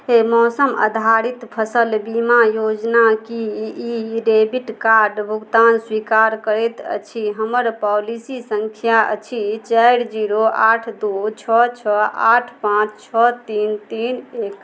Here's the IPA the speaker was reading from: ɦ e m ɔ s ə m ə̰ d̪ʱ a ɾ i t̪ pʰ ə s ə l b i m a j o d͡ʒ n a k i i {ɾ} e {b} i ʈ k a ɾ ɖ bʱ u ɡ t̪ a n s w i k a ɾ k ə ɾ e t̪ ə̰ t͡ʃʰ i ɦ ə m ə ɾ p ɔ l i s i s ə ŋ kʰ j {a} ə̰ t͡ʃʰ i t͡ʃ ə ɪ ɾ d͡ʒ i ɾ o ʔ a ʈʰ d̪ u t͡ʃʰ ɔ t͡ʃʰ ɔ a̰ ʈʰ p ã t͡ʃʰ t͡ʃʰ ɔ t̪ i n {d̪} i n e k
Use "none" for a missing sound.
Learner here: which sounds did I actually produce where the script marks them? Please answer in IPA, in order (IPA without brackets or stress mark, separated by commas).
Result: ɾ, b, a, t̪